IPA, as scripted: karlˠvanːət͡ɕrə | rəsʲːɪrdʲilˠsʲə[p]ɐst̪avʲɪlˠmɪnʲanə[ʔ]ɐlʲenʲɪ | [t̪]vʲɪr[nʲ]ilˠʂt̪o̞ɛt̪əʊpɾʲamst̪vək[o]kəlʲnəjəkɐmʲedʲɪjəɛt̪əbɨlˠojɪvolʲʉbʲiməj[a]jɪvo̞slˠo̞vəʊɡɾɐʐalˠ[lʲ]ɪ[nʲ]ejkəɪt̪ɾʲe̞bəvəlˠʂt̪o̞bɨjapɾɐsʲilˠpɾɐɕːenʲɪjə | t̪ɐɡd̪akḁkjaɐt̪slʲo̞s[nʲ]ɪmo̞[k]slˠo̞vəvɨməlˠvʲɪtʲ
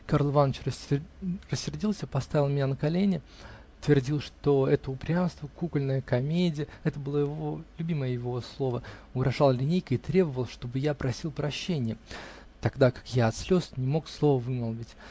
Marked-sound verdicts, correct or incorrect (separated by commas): correct, incorrect, correct, incorrect, incorrect, incorrect, correct, correct, correct, correct